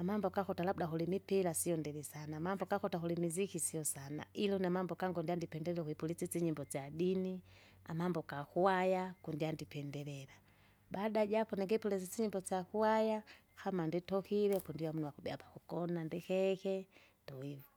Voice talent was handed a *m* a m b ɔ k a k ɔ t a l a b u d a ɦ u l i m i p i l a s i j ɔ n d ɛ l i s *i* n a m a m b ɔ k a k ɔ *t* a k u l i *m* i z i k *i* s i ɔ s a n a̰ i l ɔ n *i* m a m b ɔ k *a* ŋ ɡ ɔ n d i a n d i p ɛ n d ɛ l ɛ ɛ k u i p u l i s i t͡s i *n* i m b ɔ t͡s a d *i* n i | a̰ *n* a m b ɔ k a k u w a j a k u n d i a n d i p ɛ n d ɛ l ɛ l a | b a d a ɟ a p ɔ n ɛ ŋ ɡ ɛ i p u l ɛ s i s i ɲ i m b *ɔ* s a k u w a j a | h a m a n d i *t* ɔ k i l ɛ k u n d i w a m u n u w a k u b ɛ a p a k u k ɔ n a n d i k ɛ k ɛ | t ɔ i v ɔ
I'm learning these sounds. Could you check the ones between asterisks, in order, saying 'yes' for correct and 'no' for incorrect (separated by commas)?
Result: yes, no, yes, yes, yes, no, yes, no, yes, no, yes, yes